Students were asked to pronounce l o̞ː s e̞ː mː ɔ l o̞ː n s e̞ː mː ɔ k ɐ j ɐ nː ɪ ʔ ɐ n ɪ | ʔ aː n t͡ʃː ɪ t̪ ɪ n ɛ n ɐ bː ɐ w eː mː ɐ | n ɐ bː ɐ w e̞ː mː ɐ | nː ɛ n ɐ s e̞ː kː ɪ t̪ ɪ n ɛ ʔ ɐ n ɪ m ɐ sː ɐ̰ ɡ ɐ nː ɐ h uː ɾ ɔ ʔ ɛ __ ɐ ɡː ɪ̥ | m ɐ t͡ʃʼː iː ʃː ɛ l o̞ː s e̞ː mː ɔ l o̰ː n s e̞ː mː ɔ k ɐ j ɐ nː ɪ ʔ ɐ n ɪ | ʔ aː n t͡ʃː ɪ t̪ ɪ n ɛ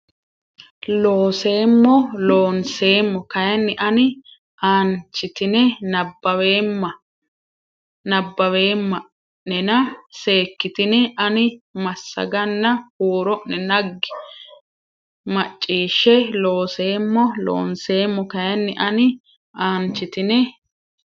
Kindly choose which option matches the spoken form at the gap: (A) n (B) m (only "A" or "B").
A